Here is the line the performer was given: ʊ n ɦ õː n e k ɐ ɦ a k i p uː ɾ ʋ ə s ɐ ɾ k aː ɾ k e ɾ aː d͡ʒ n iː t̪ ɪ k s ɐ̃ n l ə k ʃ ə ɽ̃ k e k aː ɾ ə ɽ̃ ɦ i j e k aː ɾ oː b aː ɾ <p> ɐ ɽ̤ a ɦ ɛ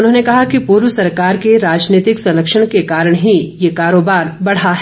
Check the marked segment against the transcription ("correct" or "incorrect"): incorrect